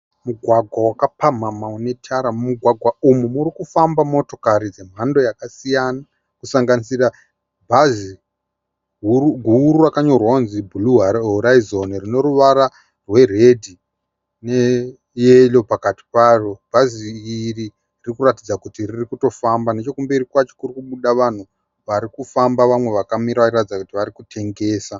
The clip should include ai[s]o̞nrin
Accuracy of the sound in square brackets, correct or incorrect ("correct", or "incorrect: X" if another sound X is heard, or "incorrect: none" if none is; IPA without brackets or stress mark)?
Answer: incorrect: z